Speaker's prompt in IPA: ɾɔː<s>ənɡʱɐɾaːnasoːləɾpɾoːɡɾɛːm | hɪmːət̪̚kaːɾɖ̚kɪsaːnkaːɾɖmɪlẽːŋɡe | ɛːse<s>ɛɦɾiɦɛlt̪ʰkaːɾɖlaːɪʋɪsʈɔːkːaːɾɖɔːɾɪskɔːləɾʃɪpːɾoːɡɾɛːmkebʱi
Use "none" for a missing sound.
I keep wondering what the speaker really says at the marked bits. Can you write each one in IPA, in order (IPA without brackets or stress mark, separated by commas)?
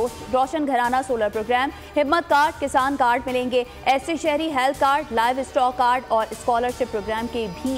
ʃ, ʃ